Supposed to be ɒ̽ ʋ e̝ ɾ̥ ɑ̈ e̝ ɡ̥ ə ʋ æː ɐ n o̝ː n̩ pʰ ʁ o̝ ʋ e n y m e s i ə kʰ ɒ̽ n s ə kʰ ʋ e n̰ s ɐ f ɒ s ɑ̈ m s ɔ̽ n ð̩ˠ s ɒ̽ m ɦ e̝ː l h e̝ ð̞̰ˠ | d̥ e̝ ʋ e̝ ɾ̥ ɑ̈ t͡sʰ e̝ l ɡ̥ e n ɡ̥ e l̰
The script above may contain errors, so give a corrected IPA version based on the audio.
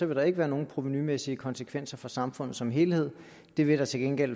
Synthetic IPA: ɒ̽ ʋ e̝ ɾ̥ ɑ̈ e̝ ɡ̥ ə ʋ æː ɐ n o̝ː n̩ pʰ ʁ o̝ ʋ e n y m e s i ə kʰ ɒ̽ n s ə kʰ ʋ e n̰ s ɐ f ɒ s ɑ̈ m f ɔ̽ n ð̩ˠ s ɒ̽ m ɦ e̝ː l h e̝ ð̞̰ˠ | d̥ e̝ ʋ e̝ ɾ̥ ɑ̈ t͡sʰ e̝ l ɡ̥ e n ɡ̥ e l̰